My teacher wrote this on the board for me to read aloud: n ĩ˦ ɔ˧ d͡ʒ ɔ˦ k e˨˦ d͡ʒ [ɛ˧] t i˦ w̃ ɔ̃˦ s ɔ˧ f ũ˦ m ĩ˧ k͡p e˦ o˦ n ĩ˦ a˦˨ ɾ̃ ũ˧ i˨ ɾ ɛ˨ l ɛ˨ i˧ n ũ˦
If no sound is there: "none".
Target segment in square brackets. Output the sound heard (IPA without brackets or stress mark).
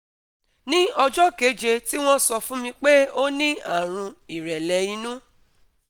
e˧